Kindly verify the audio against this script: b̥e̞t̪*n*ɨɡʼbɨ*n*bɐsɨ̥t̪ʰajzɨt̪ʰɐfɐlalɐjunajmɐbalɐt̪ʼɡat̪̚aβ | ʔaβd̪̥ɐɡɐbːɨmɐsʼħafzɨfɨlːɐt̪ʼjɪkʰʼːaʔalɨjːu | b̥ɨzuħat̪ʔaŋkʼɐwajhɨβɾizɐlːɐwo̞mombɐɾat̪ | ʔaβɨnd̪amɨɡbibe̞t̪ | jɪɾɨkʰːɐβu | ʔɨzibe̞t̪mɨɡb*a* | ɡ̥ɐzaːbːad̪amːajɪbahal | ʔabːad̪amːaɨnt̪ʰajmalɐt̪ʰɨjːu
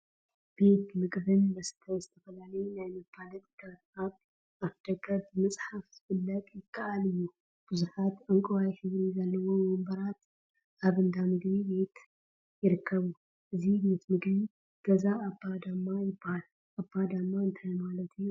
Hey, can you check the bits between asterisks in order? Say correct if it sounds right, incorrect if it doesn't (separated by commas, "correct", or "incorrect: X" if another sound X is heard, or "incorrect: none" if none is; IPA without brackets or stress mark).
incorrect: m, correct, incorrect: i